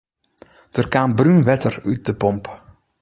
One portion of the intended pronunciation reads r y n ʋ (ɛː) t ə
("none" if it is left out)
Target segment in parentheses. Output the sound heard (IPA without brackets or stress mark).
ɛ